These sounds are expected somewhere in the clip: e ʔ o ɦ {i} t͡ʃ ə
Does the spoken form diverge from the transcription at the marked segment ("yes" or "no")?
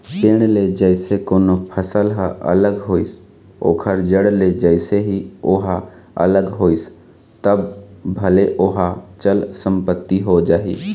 yes